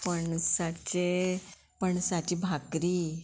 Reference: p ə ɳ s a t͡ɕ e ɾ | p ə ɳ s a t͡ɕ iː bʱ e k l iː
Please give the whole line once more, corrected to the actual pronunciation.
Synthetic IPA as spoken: p ə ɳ s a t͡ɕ e | p ə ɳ s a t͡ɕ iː bʱ a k ɾ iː